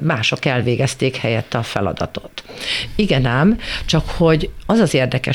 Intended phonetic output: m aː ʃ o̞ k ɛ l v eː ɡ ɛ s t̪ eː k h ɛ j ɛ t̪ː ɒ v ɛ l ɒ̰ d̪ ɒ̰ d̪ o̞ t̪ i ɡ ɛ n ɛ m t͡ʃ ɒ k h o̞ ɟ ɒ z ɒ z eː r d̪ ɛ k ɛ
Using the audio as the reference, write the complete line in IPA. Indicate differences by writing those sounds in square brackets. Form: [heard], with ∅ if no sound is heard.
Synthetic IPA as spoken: m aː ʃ o̞ k ɛ l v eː ɡ ɛ s t̪ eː k h ɛ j ɛ t̪ː ɒ [f] ɛ l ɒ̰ d̪ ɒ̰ [t̪] o̞ t̪ i ɡ ɛ n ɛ m t͡ʃ ɒ k h o̞ ɟ ɒ z ɒ z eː r d̪ ɛ k ɛ